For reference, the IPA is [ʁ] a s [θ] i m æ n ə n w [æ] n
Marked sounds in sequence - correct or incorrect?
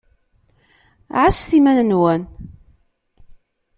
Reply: incorrect: ʕ, correct, correct

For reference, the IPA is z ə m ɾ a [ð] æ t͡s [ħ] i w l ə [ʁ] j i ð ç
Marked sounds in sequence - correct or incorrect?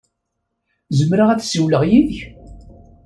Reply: incorrect: ʁ, incorrect: s, correct

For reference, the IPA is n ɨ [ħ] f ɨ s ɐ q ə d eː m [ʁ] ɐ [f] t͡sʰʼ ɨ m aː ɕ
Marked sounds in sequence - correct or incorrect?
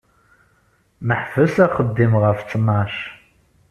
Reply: correct, correct, correct

